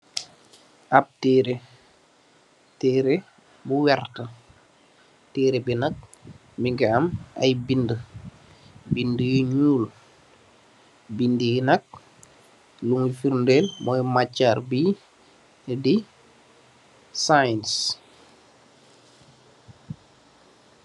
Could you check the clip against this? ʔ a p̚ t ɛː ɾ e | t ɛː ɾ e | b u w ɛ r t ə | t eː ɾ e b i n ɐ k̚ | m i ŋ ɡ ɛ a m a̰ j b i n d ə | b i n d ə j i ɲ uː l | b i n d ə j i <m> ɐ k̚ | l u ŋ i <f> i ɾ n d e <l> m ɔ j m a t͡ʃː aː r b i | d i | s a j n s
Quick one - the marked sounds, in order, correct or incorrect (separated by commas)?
incorrect, correct, correct